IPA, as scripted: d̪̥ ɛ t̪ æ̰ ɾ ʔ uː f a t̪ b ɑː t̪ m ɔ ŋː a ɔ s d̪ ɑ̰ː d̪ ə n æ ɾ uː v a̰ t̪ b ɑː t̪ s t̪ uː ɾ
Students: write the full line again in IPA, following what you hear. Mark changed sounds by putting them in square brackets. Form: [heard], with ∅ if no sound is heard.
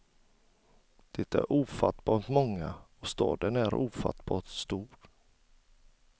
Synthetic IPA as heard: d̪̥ ɛ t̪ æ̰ ɾ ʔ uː f a t̪ b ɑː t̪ m ɔ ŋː a ɔ s [t̪] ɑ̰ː d̪ ə n æ ɾ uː [f] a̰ t̪ b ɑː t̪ s t̪ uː ɾ